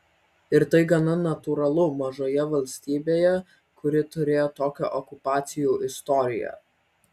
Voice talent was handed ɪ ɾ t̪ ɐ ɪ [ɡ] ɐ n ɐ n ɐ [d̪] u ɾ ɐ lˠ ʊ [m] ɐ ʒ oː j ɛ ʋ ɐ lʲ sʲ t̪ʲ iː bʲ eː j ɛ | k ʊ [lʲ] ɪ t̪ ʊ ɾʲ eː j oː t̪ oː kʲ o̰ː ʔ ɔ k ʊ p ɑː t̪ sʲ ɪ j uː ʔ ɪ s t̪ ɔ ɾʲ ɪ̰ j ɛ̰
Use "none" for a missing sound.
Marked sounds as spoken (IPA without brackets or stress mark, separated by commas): ɡ, t̪, m, ɾʲ